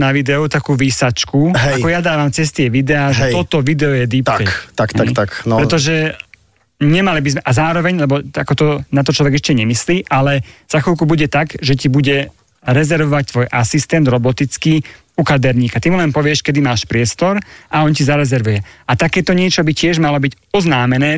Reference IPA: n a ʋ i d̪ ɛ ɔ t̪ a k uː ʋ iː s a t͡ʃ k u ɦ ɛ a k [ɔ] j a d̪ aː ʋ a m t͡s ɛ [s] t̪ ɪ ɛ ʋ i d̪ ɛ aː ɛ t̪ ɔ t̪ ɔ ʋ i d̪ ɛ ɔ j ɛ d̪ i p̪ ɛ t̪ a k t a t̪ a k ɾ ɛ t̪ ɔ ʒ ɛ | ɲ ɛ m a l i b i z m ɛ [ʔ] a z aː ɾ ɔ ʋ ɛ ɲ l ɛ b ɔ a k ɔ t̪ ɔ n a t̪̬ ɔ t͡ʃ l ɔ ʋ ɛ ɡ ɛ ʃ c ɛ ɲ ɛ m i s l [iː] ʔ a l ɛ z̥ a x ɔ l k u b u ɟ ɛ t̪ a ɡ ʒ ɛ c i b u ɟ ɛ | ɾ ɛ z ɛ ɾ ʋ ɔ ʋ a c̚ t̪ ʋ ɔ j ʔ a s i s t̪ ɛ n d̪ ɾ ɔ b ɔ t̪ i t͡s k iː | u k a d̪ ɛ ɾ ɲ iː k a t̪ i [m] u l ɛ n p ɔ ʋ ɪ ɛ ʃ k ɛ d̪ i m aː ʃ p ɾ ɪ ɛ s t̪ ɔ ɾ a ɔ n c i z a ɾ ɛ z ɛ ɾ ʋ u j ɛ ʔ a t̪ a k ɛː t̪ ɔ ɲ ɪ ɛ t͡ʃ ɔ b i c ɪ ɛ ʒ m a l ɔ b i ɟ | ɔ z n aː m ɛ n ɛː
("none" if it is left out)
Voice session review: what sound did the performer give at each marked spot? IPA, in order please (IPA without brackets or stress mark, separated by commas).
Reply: ɔ, s, ʔ, iː, m